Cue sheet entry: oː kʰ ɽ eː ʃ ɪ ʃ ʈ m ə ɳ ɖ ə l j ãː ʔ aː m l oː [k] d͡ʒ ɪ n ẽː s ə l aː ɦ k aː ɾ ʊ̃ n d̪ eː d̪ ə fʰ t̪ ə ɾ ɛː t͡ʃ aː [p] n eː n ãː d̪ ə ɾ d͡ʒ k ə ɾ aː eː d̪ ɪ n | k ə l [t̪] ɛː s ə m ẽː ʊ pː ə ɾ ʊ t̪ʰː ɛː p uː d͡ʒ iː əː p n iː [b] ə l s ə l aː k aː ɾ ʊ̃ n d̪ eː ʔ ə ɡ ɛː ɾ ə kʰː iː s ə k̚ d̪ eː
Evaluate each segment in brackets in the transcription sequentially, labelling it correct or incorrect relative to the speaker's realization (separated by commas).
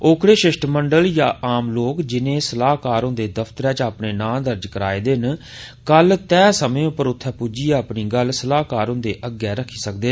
correct, correct, correct, incorrect